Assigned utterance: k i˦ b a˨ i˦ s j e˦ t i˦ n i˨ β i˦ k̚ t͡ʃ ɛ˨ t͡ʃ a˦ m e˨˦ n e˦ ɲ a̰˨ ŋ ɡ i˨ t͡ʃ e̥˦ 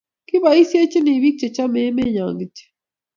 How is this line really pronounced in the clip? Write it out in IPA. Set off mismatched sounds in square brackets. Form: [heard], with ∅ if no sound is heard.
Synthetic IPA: k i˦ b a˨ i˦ s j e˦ [t͡ʃ] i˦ n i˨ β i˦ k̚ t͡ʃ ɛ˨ t͡ʃ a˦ m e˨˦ [m] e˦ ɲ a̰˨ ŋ ɡ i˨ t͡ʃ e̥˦